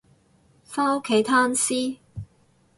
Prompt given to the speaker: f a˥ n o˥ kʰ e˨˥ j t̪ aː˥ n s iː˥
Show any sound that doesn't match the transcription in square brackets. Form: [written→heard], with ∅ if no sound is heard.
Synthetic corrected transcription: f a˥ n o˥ kʰ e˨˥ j [t̪→t̪ʰ] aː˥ n s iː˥